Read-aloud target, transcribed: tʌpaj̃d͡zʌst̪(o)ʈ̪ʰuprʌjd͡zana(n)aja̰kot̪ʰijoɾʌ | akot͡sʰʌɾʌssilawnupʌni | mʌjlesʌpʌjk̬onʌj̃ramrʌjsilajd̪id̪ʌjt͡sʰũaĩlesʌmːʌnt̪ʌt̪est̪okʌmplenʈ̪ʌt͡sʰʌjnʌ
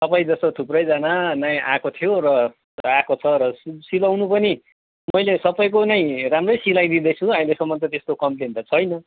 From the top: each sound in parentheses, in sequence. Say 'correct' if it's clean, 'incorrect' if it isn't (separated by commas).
correct, correct